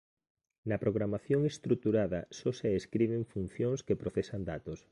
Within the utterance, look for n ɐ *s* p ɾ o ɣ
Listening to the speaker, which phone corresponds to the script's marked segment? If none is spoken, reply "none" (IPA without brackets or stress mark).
none